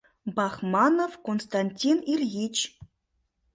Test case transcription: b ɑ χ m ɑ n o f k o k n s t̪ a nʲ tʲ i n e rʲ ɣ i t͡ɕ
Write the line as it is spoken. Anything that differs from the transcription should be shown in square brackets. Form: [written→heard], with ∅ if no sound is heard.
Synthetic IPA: b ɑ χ m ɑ n o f k o [k→∅] n s t̪ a nʲ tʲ i n [e→i] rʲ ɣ i t͡ɕ